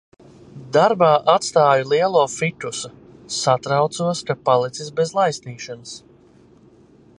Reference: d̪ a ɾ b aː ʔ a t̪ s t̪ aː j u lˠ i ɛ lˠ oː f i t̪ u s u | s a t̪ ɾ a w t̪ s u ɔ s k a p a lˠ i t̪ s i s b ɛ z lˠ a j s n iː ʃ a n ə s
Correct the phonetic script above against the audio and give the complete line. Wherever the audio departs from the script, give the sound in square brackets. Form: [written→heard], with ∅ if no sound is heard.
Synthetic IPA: d̪ a ɾ b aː ʔ a t̪ s t̪ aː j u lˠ i ɛ lˠ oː f i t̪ u s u | s a t̪ ɾ a w t̪ s u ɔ s k a p a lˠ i t̪ s i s b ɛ z lˠ a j s n iː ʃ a n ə s